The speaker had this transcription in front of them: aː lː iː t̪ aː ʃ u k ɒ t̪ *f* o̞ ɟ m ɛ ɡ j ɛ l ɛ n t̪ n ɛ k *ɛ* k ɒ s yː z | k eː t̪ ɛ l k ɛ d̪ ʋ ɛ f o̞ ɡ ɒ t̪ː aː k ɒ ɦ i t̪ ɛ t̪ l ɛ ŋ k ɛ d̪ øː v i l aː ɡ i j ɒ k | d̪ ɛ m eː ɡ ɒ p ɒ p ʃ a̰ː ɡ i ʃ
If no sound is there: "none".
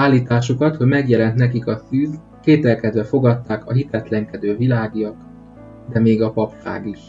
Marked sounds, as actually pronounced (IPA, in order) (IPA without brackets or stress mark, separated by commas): h, i